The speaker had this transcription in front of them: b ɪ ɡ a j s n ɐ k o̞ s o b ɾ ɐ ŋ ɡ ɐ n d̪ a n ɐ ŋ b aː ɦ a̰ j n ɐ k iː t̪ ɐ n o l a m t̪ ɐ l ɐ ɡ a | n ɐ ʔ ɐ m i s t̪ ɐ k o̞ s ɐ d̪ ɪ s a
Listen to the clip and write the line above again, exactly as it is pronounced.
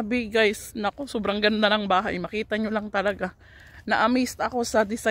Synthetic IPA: b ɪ ɡ a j s n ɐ k o̞ s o b ɾ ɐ ŋ ɡ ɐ n d̪ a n ɐ ŋ b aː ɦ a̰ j m ɐ k iː t̪ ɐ ɲ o l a ŋ t̪ ɐ l ɐ ɡ a | n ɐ ʔ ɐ m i s t̪ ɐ k o̞ s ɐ d̪ ɪ s a